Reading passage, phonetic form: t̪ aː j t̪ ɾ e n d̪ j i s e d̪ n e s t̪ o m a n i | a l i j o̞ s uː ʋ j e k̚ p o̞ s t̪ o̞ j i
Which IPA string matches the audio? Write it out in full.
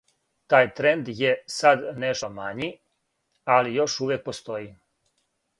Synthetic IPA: t̪ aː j t̪ ɾ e n d̪ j e s a d̪ n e ʃ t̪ o m a ɲ i | a l i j o̞ ʃ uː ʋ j e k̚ p o̞ s t̪ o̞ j i